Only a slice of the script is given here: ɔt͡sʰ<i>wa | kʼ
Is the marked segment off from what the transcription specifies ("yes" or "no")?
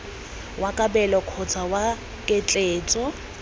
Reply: yes